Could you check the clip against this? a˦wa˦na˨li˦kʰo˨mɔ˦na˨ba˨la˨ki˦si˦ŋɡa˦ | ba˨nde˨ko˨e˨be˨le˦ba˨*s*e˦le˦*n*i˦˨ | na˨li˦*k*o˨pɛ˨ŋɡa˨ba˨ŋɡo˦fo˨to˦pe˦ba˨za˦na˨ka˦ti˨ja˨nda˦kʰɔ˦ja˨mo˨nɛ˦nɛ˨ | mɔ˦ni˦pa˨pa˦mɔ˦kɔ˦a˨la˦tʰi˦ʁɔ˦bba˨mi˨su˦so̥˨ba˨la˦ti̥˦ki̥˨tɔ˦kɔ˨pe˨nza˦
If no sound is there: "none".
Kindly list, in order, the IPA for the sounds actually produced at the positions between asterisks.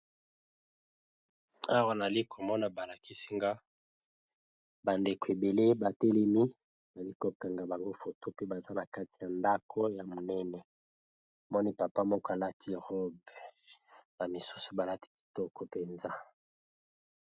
t, m, k

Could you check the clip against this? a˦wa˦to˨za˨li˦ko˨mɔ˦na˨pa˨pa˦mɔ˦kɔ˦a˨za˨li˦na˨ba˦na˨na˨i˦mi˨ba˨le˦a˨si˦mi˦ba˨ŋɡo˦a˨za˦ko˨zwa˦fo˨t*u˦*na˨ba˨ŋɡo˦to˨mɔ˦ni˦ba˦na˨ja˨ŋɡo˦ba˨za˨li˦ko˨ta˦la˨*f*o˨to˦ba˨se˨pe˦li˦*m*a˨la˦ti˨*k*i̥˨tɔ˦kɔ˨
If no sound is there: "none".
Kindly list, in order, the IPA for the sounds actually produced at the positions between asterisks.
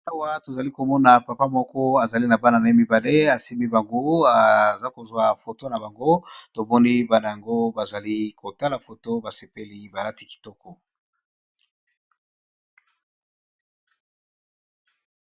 o˦, f, b, k

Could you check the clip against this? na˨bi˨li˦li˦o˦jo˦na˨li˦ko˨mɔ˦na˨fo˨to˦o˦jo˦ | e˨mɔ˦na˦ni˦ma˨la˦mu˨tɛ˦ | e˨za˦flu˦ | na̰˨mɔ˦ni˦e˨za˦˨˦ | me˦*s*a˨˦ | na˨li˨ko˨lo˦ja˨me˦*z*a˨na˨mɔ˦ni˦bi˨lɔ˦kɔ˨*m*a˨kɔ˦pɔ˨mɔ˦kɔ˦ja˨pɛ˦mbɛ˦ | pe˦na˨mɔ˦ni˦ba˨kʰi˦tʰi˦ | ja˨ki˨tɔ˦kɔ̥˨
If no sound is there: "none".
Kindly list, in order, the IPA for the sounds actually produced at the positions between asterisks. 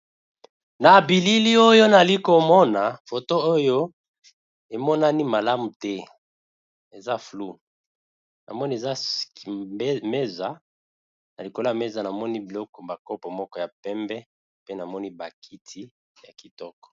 z, z, b

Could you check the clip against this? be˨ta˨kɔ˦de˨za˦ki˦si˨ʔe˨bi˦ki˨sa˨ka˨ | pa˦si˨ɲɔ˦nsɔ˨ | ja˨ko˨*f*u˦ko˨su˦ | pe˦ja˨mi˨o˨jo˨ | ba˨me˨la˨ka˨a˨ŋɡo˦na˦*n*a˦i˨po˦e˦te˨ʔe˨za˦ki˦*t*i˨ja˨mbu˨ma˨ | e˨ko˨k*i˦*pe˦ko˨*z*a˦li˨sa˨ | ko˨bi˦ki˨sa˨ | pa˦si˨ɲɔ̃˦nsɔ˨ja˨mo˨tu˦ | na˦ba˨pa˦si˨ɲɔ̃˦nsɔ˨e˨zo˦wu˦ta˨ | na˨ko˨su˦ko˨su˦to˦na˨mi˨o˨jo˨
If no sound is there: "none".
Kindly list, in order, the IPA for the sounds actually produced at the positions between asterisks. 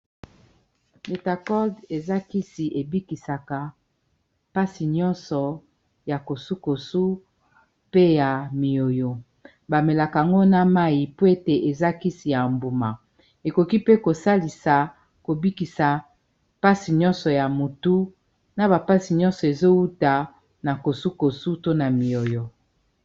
s, m, s, i˦, s

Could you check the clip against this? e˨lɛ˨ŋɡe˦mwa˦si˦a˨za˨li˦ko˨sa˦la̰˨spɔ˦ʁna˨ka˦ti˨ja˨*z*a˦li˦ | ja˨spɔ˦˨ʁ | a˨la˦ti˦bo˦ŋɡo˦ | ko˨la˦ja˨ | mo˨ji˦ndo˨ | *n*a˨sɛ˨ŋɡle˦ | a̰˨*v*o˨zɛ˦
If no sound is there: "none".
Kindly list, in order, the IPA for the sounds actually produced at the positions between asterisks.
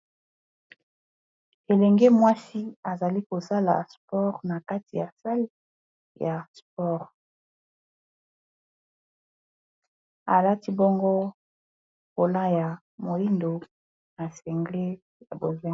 s, n, b

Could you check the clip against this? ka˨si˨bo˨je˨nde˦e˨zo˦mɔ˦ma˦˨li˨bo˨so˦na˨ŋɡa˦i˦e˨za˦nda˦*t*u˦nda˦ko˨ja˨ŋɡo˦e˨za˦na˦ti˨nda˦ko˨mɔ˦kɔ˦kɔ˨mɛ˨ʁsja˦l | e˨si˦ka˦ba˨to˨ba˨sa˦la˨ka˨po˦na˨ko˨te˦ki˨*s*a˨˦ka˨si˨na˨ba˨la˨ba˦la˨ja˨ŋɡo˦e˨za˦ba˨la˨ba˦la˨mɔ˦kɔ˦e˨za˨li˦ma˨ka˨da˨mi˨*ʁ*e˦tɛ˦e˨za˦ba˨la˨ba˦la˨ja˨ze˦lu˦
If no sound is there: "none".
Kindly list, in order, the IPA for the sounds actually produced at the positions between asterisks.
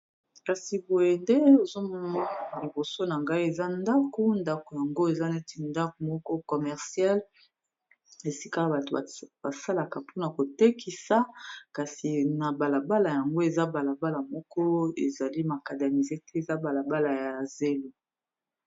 k, s, z

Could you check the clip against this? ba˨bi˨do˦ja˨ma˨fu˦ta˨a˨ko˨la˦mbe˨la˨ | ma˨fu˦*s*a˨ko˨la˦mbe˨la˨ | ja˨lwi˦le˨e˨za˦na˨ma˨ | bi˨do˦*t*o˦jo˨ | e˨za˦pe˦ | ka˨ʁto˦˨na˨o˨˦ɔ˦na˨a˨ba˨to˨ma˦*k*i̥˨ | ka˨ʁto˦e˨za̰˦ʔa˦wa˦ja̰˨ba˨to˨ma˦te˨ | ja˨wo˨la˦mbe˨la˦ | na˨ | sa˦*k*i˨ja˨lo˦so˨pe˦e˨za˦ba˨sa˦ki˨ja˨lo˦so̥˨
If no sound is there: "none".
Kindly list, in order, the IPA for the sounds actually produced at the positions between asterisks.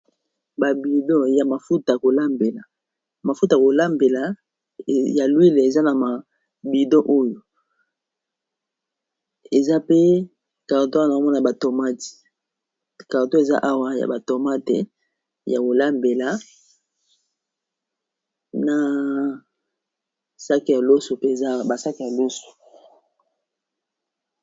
t, ʔ, t, k

